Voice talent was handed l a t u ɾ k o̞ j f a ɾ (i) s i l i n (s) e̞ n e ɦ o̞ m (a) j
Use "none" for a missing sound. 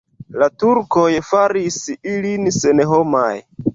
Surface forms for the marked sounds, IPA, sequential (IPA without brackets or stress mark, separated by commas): i, s, a